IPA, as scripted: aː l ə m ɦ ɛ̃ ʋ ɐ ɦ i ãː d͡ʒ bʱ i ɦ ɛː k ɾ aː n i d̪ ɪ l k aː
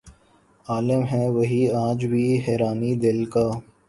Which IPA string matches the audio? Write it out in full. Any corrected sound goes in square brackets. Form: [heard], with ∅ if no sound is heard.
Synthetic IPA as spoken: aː l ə m ɦ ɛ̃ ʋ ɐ ɦ i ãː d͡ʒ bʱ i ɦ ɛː [∅] ɾ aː n i d̪ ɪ l k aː